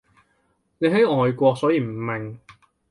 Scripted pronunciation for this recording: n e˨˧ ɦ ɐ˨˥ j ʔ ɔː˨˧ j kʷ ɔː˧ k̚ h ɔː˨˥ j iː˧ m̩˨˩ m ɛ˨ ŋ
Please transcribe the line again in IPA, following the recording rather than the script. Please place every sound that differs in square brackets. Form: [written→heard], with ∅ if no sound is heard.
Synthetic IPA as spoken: n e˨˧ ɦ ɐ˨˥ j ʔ ɔː˨˧ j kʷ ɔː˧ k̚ [h→s] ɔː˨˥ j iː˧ m̩˨˩ m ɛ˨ ŋ